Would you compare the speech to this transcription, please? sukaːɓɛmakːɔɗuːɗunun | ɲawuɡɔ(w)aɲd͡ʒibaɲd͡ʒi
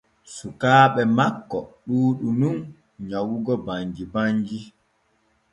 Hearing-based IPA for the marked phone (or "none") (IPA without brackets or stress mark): b